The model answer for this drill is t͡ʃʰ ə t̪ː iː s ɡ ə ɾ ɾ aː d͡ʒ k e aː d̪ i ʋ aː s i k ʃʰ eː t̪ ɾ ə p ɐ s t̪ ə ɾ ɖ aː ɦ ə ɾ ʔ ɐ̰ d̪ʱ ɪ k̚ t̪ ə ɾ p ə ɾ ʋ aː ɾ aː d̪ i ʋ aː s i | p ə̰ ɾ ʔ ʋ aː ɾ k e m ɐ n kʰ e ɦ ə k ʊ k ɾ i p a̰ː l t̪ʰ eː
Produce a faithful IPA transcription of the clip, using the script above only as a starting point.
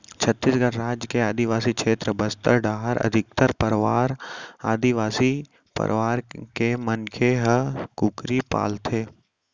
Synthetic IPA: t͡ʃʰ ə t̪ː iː s ɡ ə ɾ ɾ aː d͡ʒ k e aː d̪ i ʋ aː s i k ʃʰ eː t̪ ɾ ə b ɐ s t̪ ə ɾ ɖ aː ɦ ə ɾ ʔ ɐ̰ d̪ʱ ɪ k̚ t̪ ə ɾ p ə ɾ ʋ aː ɾ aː d̪ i ʋ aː s i | p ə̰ ɾ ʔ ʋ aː ɾ k e m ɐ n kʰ e ɦ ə k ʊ k ɾ i p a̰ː l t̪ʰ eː